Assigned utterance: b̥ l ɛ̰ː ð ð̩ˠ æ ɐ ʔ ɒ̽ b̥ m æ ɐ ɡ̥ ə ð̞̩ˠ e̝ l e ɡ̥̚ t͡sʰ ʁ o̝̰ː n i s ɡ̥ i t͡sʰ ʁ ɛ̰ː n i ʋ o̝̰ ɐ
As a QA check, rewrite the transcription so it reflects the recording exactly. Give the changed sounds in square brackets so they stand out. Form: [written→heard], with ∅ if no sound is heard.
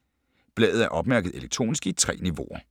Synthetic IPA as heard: b̥ l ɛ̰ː ð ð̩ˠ æ ɐ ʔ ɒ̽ b̥ m æ ɐ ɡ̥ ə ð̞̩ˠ e̝ l e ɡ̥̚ t͡sʰ ʁ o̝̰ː n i s ɡ̥ i t͡sʰ ʁ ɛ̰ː n i ʋ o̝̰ ɐ